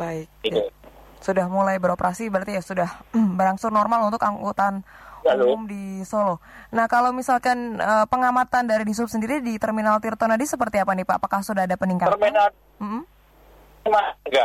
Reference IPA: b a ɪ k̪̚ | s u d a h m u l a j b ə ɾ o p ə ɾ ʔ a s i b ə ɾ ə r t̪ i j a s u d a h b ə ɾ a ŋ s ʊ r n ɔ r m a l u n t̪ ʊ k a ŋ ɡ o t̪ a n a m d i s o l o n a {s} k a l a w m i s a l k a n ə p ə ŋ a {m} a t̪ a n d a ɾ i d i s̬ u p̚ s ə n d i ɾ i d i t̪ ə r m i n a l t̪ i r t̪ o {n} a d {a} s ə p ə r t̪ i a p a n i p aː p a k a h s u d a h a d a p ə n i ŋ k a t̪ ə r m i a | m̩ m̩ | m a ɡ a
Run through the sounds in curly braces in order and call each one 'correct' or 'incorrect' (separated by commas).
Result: incorrect, correct, correct, incorrect